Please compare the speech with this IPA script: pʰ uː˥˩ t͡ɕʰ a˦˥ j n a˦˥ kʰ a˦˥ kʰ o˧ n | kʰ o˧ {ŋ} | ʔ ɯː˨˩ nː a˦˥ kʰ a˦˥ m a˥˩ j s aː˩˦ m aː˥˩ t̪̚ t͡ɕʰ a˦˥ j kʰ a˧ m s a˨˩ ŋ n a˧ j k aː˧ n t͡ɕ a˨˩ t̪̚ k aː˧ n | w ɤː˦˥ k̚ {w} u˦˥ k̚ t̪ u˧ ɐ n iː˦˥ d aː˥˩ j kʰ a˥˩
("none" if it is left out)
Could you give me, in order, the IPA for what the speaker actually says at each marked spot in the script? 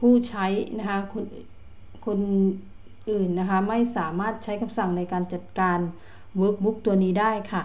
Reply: n, b

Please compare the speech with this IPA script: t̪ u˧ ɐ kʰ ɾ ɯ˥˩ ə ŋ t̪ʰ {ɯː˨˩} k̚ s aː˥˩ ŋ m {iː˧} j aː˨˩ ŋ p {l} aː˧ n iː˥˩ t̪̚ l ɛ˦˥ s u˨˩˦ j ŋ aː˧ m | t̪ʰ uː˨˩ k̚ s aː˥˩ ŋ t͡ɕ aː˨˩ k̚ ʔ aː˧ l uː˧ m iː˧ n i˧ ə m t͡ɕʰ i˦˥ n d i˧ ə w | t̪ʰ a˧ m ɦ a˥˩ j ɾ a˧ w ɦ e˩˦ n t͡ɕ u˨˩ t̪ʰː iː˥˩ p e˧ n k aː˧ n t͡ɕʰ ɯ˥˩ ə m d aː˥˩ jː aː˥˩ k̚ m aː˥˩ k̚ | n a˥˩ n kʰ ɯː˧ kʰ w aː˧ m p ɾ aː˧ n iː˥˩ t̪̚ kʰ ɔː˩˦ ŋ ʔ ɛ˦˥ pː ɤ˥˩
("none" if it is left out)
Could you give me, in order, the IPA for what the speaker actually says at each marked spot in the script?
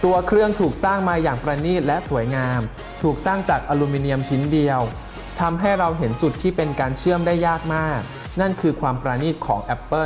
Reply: uː˨˩, aː˧, ɾ

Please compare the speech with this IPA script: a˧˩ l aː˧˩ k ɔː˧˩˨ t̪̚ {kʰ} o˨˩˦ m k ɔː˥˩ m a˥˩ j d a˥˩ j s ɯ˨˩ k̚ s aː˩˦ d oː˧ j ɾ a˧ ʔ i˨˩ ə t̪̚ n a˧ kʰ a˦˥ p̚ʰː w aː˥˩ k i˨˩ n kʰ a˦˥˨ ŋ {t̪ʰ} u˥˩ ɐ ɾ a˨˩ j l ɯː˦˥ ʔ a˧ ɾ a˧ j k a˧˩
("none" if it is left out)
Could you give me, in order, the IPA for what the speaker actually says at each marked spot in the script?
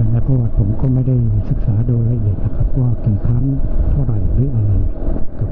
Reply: pʰ, t̪ʰ

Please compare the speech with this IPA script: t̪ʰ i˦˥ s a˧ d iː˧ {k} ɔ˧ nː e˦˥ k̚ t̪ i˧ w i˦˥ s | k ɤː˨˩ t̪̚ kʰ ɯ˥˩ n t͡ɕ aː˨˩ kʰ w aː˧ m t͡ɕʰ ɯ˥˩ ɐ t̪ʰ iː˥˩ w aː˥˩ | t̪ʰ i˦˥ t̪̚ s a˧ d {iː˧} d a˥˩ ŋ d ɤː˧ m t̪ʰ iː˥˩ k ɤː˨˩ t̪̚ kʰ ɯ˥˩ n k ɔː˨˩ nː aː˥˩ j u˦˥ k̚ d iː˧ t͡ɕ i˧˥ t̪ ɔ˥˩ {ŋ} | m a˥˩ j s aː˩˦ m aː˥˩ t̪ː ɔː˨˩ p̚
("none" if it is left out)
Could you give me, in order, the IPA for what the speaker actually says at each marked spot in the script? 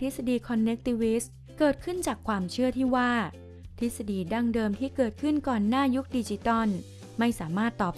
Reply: kʰ, iː˧, n

